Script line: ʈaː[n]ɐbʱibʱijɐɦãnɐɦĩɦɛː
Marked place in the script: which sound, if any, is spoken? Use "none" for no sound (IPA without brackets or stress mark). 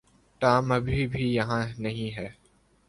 m